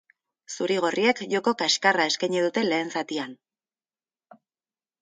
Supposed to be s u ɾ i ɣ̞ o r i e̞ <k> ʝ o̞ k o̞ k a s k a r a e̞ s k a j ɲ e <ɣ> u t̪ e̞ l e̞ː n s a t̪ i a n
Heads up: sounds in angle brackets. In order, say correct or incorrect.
correct, incorrect: ð

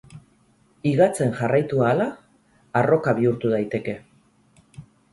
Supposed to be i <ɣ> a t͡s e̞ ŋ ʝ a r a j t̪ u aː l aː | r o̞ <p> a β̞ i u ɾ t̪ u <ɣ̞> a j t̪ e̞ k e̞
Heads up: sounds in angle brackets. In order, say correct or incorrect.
correct, incorrect: k, incorrect: ð̞

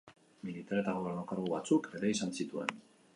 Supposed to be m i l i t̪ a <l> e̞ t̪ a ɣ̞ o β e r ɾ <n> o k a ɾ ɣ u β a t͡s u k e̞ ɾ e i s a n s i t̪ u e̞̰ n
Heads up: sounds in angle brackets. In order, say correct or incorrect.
incorrect: ɾ, correct

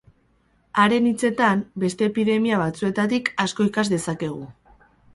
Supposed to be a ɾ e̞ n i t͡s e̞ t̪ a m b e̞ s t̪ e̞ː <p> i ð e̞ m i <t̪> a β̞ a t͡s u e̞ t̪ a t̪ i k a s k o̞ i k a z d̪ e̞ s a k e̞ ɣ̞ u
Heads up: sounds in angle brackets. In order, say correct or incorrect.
correct, incorrect: none

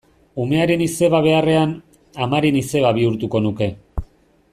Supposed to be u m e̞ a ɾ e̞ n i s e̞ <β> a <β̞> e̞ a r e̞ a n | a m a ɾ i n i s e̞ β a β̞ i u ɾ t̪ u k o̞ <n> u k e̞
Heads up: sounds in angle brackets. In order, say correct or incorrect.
correct, correct, correct

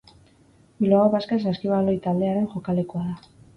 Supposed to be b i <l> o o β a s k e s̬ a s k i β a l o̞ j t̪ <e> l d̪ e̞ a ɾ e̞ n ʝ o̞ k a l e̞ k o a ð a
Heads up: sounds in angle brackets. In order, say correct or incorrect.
correct, incorrect: a

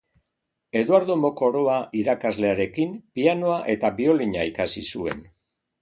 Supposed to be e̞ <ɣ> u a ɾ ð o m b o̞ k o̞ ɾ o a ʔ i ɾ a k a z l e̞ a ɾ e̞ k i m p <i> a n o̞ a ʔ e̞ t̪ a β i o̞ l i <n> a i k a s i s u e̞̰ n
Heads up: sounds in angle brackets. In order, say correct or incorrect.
incorrect: ð, correct, incorrect: ɲ

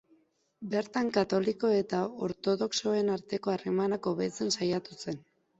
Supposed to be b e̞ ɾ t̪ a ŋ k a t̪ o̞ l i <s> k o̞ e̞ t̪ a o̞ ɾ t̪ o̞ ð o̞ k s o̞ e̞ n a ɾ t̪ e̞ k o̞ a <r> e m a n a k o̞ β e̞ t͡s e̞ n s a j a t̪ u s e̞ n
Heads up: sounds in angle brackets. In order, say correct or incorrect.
incorrect: none, correct

